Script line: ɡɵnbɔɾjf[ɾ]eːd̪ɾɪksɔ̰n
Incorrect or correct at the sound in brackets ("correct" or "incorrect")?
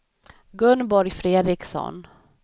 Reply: correct